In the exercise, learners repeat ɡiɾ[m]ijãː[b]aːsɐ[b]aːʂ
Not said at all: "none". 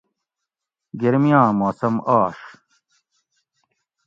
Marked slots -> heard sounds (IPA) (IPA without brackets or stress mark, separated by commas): m, m, m